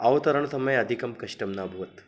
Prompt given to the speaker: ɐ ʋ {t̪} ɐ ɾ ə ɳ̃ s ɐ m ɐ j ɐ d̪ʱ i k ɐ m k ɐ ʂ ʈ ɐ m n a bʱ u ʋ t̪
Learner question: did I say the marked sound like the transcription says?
yes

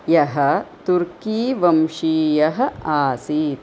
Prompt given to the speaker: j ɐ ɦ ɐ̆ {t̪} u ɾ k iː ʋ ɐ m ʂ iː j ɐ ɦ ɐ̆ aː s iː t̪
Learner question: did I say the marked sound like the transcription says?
yes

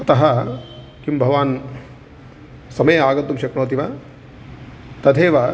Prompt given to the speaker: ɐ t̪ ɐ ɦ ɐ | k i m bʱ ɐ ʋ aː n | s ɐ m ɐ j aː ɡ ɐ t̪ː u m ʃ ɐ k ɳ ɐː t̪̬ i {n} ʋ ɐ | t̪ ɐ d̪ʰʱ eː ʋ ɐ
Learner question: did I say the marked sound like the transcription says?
no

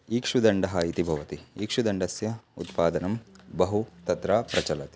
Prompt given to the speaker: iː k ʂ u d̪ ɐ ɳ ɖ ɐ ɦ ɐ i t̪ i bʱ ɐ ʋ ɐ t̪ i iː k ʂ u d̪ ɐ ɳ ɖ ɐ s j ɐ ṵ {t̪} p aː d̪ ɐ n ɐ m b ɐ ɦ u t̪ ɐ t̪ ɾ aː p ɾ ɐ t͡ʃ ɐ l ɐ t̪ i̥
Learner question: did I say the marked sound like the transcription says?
yes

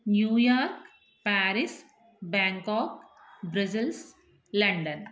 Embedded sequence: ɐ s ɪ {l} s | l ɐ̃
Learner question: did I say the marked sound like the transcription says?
yes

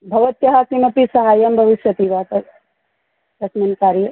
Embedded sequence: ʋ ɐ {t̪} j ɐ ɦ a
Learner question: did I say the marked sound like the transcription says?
yes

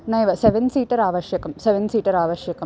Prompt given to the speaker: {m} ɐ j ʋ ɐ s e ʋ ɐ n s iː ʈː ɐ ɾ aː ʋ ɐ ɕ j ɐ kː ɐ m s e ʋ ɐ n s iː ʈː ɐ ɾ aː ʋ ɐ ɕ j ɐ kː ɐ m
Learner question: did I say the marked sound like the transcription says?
no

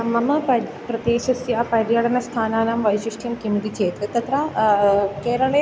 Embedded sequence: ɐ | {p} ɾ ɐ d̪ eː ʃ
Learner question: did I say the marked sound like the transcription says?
yes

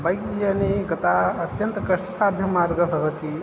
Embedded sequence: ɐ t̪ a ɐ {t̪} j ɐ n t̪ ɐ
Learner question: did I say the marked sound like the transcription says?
yes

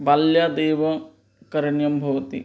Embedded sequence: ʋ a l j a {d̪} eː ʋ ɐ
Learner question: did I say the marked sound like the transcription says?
yes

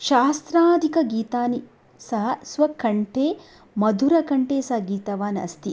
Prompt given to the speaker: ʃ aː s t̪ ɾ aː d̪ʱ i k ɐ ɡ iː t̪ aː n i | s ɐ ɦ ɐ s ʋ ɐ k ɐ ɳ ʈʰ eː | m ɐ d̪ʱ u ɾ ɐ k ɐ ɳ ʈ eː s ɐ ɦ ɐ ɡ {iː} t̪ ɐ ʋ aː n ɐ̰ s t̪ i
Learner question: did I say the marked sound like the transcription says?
yes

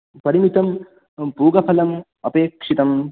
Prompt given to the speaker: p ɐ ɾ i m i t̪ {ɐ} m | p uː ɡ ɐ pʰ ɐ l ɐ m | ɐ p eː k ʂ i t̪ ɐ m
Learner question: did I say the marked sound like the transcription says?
yes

